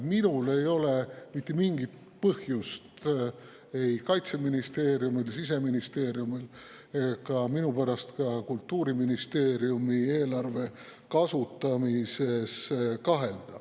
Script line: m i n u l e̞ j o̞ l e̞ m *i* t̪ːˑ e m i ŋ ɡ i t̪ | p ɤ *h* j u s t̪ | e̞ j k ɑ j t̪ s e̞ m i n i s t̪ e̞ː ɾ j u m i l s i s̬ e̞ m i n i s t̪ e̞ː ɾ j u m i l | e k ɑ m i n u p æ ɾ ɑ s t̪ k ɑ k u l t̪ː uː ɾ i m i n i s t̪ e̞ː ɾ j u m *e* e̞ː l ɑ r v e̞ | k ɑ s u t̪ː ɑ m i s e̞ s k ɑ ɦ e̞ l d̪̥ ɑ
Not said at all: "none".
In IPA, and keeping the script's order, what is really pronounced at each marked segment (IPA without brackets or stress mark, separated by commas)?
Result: i, h, i